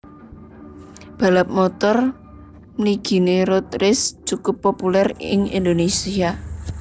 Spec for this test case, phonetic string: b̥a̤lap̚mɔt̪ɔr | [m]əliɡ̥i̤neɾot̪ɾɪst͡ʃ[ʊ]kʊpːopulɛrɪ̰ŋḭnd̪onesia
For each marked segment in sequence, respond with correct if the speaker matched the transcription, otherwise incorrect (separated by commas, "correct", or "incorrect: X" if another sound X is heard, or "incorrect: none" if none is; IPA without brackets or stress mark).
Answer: correct, incorrect: u